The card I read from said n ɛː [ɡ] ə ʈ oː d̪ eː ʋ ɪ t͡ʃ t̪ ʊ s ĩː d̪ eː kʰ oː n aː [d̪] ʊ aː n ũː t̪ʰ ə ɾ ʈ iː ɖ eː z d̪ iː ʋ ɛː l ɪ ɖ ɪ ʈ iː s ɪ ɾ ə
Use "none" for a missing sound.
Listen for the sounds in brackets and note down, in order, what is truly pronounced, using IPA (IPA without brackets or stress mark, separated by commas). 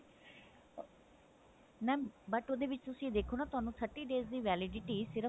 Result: b, t̪